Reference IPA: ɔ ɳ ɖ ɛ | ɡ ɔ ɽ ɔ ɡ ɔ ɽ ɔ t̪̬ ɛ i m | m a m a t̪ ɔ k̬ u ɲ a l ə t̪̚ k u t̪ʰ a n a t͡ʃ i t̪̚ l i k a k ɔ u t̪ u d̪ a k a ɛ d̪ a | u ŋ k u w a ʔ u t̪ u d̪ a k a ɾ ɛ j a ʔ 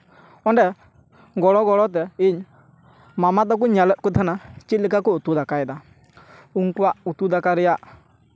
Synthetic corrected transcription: ɔ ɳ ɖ ɛ | ɡ ɔ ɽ ɔ ɡ ɔ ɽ ɔ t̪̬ ɛ i ɲ | m a m a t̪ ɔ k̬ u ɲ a l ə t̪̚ k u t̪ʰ a n a t͡ʃ i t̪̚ l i k a k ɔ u t̪ u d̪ a k a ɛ d̪ a | u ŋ k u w a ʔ u t̪ u d̪ a k a ɾ ɛ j a ʔ